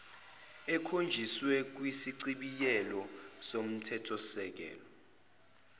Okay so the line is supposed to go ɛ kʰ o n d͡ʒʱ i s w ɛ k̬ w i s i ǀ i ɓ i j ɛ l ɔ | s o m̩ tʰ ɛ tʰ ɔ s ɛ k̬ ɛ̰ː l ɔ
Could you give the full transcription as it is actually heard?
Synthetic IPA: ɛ kʰ o n d͡ʒʱ i s w ɛ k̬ w i s i ǀ i ɓ i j ɛ l ɔ | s o m̩ tʰ ɛ tʰ ɔ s ɛ k̬ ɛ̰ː l ɔ